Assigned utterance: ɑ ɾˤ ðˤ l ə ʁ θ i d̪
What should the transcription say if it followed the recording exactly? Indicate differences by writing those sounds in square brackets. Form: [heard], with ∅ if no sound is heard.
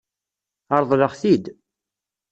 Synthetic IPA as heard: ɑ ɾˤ ðˤ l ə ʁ θ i d̪